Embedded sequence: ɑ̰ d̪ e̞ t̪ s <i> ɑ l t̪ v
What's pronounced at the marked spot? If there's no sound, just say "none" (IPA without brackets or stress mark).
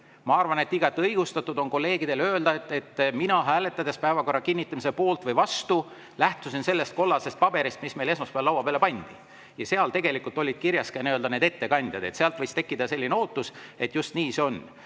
e